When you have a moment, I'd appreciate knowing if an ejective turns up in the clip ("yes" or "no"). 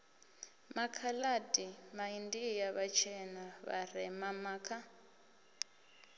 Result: no